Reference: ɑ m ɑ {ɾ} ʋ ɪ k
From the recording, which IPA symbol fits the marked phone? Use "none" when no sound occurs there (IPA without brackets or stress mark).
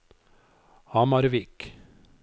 ɾ